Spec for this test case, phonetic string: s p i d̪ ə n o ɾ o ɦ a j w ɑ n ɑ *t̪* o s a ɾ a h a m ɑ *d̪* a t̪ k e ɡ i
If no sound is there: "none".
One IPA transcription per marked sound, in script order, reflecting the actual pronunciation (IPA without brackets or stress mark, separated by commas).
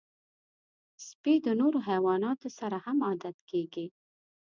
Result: t̪, d̪